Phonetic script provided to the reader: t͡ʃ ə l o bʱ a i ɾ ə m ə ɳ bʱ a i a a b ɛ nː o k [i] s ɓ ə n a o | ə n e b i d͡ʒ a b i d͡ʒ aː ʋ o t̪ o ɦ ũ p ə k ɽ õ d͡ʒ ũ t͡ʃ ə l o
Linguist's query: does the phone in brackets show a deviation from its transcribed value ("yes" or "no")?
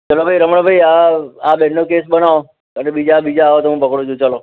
yes